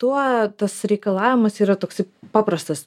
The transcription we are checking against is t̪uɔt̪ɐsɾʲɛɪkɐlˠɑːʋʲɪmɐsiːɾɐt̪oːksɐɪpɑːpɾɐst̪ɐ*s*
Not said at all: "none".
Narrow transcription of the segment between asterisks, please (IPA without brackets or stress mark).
s